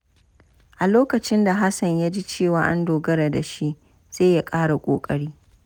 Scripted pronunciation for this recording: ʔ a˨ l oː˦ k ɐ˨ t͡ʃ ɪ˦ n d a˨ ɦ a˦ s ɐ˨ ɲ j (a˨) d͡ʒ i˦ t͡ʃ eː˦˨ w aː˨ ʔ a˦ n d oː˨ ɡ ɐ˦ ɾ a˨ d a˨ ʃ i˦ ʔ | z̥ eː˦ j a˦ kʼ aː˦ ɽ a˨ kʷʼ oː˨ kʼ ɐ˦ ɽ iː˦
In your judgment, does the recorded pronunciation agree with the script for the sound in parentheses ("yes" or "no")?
no